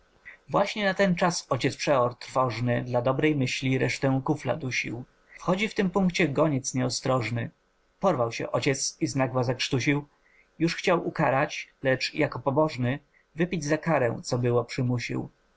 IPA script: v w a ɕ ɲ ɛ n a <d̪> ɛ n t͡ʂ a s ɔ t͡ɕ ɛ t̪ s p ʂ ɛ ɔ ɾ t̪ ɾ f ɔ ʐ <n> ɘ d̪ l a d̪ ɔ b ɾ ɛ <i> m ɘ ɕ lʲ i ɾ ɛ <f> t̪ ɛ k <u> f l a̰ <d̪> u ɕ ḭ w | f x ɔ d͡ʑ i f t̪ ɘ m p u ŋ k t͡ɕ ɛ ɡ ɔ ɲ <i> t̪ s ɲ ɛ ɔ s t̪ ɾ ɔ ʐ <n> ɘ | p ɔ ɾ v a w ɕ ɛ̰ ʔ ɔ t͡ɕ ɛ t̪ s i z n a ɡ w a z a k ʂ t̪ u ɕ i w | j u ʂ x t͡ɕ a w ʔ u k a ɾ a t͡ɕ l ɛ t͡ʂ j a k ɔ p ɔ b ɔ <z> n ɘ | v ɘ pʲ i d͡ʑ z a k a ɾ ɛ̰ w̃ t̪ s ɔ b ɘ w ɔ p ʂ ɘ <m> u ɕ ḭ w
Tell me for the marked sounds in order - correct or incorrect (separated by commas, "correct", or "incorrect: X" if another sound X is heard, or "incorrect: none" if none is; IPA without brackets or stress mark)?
incorrect: t̪, correct, incorrect: j, incorrect: ʂ, correct, correct, incorrect: ɛ, correct, incorrect: ʐ, correct